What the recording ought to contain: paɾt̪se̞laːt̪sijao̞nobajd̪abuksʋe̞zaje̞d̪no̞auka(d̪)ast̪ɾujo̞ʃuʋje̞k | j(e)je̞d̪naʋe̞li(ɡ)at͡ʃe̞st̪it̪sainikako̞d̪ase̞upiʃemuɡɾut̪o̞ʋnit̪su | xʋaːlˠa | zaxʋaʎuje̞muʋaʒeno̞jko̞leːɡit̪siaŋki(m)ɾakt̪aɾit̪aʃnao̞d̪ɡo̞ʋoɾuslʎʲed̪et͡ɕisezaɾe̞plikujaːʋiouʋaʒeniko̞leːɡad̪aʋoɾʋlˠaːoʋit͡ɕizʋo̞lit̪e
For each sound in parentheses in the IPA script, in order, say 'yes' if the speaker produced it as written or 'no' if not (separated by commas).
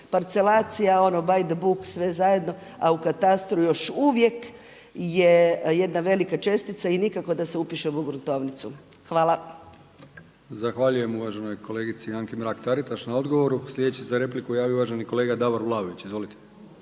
no, yes, no, yes